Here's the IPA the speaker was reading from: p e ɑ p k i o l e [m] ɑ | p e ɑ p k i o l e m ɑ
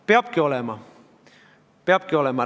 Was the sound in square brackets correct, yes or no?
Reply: yes